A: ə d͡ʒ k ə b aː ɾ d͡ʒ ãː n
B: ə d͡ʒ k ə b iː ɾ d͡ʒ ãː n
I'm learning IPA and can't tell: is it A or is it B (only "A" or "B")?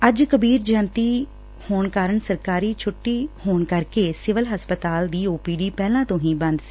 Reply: B